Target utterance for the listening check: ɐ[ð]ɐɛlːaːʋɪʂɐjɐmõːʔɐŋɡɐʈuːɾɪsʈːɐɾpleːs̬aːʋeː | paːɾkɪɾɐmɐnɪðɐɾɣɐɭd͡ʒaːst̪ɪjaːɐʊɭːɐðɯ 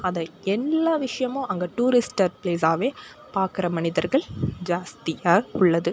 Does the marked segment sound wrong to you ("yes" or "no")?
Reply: no